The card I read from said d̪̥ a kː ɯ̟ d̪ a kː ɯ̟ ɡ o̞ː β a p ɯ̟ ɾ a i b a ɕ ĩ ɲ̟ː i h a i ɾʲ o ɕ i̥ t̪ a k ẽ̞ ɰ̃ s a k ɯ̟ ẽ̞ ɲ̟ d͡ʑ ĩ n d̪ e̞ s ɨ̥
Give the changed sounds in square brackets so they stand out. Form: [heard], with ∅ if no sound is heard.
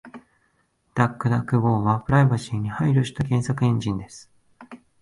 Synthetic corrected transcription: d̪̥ a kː ɯ̟ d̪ a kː ɯ̟ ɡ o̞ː β a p ɯ̟ ɾ a i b a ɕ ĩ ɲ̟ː i h a i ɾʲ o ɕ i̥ t̪ a k ẽ̞ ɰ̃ s a k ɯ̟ ẽ̞ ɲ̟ d͡ʑ ĩ n d̪ e̞ s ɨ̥